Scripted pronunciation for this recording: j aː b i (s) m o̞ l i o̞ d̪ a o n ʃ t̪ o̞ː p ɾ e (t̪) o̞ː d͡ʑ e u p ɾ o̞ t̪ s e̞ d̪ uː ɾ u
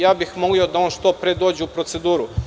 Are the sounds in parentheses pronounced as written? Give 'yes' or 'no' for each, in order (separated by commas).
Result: no, no